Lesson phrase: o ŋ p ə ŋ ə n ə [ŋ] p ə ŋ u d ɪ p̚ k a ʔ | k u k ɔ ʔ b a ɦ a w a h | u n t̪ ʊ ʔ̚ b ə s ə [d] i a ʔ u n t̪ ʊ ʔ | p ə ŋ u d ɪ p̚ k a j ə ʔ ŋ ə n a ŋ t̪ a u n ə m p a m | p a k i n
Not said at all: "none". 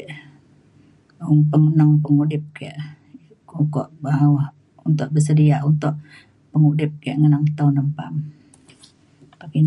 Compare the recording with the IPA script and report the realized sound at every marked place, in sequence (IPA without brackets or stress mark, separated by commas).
ŋ, d